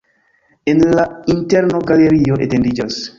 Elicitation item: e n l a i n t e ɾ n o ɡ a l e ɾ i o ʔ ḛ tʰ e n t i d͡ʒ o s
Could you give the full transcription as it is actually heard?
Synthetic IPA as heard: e n l a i n t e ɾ n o ɡ a l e ɾ i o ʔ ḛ t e n d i d͡ʒ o s